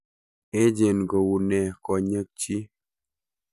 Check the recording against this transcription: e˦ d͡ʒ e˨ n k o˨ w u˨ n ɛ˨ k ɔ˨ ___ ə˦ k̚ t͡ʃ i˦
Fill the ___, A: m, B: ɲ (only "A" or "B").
B